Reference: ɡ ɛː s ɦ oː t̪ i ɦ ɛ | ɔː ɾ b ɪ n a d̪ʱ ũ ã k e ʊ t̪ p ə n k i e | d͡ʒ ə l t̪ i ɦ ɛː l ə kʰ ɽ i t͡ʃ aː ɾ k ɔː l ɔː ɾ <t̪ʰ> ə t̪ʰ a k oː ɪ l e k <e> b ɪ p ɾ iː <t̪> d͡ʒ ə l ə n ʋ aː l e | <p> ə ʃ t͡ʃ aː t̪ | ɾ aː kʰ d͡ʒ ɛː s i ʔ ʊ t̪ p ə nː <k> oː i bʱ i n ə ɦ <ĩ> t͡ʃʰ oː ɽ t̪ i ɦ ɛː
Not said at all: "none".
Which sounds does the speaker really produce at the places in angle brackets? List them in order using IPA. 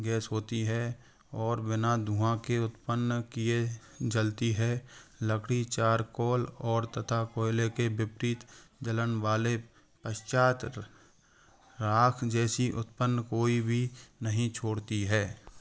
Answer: t̪, e, t̪, p, k, ĩ

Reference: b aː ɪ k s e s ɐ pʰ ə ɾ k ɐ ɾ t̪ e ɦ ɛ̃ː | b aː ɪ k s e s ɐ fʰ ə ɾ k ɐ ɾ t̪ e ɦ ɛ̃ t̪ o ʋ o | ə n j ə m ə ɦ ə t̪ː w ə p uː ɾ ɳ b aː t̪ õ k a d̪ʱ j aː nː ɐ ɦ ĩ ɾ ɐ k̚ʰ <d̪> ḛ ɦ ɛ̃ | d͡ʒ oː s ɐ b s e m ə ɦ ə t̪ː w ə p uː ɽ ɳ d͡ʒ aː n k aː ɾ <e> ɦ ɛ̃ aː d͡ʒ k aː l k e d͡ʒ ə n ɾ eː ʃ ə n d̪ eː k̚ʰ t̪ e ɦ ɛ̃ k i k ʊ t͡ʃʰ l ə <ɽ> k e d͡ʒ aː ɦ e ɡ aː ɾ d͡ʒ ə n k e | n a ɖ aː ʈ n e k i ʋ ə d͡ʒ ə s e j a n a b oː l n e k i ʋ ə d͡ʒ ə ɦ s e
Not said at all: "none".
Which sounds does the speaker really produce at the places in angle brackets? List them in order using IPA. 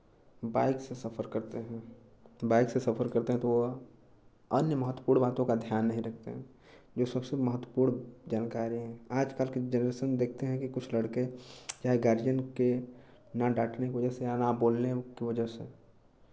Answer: t̪, i, ɽ

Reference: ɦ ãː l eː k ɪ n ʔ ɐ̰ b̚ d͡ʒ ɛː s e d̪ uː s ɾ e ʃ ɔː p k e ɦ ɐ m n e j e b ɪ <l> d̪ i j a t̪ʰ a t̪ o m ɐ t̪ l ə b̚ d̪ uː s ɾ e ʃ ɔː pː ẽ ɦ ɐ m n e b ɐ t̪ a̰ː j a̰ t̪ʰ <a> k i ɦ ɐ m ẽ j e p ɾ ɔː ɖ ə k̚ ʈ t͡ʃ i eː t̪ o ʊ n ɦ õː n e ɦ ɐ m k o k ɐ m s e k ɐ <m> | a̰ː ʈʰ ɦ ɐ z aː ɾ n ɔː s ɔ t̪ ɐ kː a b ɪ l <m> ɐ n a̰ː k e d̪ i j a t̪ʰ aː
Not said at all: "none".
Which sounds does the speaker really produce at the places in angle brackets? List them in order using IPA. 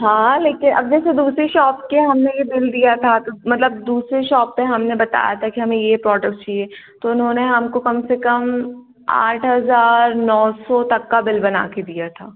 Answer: l, a, m, b

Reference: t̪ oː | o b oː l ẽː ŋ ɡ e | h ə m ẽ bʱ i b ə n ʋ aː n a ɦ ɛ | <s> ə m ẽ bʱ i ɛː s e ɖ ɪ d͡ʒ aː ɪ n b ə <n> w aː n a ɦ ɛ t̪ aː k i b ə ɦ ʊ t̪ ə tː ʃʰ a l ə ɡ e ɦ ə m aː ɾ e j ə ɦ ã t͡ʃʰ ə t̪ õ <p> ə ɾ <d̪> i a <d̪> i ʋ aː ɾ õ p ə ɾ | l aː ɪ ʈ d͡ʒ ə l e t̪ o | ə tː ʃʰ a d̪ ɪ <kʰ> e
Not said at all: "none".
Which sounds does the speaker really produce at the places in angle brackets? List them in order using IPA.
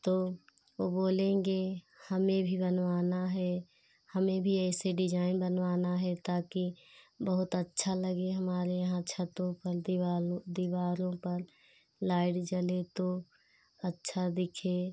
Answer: h, n, p, d̪, d̪, kʰ

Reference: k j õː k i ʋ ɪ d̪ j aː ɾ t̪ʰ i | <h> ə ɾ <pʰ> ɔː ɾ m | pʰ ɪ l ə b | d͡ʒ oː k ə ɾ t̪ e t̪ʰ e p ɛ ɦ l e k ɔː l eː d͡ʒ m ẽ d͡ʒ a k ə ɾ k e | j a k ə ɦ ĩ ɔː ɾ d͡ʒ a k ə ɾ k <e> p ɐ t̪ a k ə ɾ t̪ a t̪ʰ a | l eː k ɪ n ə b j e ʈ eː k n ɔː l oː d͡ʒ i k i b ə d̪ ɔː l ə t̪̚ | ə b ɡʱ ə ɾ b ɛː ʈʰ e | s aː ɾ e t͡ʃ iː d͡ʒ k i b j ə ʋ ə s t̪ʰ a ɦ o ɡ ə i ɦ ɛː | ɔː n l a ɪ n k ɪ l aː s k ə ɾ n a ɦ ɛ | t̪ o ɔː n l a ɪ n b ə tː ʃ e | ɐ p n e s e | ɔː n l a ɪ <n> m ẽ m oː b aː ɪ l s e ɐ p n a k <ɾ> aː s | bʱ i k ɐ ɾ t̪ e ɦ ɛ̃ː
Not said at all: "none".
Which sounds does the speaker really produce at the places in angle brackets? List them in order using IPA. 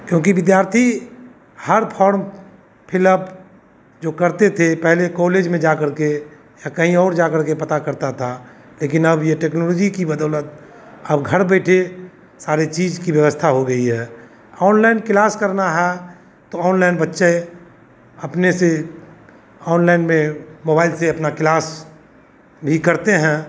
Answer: h, pʰ, e, n, l

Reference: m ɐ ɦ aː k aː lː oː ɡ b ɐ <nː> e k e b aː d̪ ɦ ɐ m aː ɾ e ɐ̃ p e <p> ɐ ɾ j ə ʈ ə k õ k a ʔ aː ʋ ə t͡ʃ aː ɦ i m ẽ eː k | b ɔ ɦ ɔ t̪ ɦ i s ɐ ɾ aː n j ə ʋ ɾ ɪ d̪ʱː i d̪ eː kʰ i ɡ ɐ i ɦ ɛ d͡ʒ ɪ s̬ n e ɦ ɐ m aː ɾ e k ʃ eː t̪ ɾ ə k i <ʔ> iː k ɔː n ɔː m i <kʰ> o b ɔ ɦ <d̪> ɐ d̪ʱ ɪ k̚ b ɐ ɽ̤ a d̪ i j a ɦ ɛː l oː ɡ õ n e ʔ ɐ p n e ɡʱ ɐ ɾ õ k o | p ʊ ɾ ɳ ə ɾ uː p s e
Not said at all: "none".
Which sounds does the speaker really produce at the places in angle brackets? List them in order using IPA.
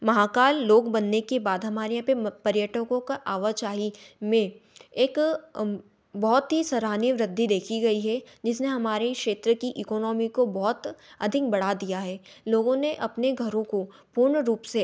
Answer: nː, p, ʔ, k, t̪

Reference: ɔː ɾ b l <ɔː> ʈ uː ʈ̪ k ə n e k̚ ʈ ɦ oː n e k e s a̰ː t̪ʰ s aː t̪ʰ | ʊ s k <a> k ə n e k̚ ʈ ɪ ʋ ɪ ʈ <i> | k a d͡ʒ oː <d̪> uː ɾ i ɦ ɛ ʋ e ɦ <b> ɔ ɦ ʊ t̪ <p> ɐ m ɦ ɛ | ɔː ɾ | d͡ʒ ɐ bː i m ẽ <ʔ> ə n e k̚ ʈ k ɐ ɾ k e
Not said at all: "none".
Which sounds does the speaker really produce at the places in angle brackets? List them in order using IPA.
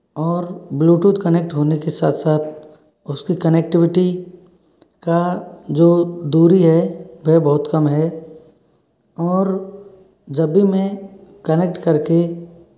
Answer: uː, i, i, d̪, b, k, k

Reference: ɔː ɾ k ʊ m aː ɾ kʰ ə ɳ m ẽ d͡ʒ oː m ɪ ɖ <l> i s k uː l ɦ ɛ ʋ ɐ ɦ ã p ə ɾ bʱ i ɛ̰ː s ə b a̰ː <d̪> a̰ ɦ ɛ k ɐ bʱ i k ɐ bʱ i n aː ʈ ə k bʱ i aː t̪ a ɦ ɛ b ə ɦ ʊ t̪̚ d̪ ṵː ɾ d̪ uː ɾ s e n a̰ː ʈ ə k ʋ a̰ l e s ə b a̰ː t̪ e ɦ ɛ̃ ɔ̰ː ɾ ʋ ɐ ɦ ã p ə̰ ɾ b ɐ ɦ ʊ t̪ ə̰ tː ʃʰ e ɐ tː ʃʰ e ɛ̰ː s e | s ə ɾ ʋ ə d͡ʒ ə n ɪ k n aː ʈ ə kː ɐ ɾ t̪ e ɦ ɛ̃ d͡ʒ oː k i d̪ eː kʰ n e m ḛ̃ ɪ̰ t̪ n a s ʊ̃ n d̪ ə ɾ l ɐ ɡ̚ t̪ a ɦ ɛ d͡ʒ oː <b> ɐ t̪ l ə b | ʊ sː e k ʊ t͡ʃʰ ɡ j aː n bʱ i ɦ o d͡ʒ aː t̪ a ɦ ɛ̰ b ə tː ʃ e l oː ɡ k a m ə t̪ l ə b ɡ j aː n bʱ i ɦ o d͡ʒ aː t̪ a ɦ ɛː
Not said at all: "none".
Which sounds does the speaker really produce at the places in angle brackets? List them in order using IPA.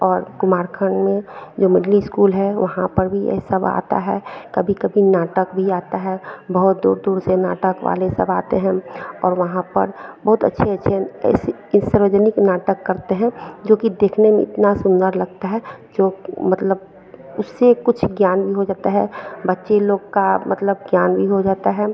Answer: l, t̪, m

